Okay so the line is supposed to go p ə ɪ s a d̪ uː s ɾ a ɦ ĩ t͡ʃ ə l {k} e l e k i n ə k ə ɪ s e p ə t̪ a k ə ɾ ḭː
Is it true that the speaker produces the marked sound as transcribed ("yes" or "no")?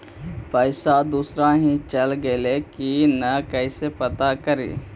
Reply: no